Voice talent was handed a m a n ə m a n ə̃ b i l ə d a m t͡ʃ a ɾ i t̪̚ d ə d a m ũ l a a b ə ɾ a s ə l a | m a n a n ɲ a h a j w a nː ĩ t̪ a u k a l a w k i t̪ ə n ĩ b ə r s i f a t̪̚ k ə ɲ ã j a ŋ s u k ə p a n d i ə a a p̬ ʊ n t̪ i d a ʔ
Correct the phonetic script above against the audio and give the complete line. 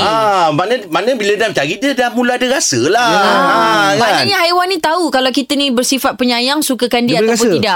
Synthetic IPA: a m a n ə m a n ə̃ b i l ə d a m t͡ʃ a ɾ i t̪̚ d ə d a m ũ l a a d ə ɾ a s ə l a | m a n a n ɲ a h a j w a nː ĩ t̪ a u k a l a w k i t̪ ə n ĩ b ə r s i f a t̪̚ p ə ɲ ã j a ŋ s u k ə k a n d i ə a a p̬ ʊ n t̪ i d a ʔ